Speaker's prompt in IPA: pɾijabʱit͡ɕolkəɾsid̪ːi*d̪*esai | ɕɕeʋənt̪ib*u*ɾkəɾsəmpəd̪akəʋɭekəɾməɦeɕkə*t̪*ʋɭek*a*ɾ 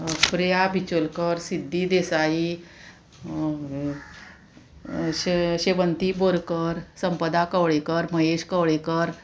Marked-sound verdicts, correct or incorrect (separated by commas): correct, incorrect, incorrect, incorrect